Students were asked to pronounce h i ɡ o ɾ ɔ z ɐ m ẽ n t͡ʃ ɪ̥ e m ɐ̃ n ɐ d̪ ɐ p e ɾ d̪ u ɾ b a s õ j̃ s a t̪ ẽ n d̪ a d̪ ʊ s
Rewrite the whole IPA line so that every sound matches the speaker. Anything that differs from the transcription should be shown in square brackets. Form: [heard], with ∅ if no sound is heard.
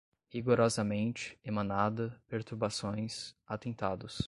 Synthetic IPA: h i ɡ o ɾ ɔ z ɐ m ẽ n t͡ʃ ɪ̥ e m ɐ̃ n [a] d̪ ɐ p e ɾ [t̪] u ɾ b a s õ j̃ s a t̪ ẽ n [t̪] a d̪ ʊ s